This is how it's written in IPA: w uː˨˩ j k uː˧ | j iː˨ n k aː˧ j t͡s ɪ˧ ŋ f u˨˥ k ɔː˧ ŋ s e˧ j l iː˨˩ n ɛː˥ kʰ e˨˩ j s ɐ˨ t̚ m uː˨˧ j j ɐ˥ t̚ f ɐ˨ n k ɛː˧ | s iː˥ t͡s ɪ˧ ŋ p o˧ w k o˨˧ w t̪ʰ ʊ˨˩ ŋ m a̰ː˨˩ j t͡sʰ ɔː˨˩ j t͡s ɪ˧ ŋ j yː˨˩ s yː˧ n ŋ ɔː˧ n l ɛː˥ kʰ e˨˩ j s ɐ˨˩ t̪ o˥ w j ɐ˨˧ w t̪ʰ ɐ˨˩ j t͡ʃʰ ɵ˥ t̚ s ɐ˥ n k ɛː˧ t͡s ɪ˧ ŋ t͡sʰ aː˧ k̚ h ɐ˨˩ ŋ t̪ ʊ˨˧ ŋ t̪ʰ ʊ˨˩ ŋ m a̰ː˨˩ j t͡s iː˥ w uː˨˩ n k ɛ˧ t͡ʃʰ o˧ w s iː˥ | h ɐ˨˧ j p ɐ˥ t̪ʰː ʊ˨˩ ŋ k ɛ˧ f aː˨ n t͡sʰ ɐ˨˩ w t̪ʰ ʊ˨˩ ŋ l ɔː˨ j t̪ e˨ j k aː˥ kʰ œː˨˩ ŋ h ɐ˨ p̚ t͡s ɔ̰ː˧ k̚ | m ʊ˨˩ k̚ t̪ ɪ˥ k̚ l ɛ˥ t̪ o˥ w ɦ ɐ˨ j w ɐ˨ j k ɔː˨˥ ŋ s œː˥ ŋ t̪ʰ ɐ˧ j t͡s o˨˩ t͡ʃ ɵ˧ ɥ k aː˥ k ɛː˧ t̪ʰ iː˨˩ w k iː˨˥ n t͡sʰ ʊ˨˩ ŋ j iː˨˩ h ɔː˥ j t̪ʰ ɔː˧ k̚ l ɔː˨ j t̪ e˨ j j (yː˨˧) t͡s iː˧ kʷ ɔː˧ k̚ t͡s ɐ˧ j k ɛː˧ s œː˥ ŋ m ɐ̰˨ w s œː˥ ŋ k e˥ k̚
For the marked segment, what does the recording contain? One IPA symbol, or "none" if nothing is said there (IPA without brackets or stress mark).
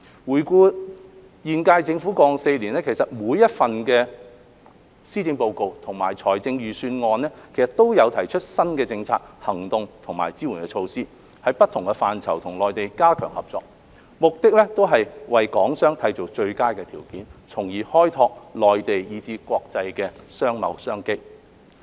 iː˨˧